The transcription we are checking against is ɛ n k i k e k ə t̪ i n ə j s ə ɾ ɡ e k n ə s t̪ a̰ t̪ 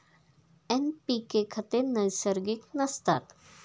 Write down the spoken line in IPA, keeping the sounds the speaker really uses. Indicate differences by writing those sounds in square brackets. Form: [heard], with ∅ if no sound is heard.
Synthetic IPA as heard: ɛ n [p] i k e [kʰ] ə t̪ [e] n ə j s ə ɾ ɡ [i] k n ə s t̪ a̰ t̪